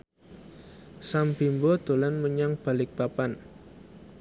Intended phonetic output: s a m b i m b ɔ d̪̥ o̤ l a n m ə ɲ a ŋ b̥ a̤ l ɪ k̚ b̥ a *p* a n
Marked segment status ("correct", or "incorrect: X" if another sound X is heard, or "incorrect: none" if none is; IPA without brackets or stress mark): correct